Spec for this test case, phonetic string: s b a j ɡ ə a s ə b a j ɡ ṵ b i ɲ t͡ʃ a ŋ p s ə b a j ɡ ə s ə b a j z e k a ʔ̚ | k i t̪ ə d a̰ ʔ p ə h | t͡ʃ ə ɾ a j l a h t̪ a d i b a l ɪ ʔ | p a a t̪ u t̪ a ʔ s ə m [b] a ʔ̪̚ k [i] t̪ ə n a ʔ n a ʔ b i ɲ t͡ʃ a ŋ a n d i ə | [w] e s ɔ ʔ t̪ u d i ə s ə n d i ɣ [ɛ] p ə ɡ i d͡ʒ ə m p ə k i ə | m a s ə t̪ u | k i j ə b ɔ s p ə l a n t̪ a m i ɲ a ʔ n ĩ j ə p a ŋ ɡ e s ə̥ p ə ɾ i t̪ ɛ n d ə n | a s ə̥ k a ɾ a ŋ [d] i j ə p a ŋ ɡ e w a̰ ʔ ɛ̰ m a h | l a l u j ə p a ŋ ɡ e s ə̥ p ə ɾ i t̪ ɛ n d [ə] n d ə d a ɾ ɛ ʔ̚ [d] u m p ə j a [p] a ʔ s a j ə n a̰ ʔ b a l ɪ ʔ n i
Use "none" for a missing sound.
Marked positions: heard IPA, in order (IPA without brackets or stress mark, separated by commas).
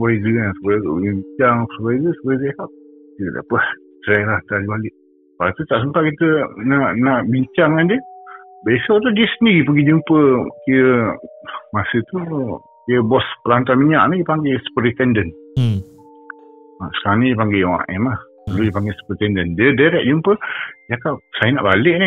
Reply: p, i, b, i, n, ə, d͡ʒ, k